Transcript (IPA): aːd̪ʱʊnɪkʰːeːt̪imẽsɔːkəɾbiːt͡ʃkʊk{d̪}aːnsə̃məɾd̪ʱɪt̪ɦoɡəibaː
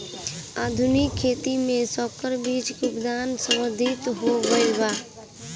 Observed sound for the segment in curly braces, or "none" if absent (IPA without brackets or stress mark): d̪